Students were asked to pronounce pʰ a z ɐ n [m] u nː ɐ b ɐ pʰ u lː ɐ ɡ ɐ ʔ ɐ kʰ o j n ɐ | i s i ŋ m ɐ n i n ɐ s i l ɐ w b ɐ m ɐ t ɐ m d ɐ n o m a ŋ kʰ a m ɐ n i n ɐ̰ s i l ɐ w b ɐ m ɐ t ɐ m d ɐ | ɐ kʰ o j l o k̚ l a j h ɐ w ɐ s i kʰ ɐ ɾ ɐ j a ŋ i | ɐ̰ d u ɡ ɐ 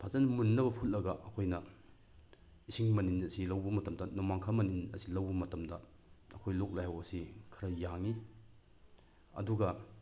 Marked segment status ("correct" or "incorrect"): correct